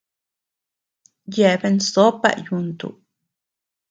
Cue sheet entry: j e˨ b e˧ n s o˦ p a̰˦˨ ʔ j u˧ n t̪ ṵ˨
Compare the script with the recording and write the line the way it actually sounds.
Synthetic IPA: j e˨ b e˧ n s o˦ p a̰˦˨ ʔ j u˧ n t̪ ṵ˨